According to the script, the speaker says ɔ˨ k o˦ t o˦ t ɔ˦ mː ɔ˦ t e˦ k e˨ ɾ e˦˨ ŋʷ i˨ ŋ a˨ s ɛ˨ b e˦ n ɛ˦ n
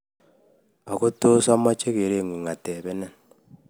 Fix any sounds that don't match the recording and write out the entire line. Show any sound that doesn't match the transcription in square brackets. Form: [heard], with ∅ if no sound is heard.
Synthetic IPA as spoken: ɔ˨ k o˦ t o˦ [s] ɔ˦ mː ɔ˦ [t͡ʃ] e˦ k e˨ ɾ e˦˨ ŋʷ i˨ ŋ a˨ [t] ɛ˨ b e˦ n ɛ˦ n